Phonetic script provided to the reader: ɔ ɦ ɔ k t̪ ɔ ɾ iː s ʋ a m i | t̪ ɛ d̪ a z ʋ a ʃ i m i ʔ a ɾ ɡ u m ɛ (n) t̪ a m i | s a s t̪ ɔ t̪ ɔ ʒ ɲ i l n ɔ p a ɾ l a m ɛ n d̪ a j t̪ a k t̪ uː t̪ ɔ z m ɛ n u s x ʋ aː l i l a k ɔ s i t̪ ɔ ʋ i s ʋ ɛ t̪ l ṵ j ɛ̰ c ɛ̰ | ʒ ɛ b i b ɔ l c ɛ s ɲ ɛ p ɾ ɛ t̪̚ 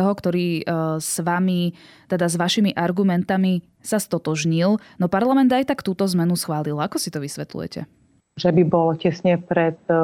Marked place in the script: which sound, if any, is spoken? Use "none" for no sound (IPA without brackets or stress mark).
n